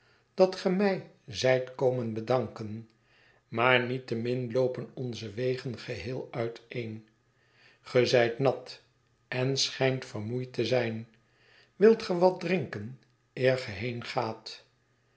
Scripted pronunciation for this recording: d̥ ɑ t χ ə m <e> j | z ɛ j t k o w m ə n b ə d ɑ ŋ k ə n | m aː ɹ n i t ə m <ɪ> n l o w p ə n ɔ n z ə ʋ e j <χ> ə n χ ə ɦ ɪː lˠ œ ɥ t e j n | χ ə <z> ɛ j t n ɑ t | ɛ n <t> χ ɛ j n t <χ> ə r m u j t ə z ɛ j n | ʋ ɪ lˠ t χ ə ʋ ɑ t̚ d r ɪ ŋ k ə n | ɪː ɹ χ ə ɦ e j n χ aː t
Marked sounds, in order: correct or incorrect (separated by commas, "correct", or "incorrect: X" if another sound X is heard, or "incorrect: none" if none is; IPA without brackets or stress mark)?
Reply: incorrect: ɛ, correct, correct, correct, incorrect: s, incorrect: f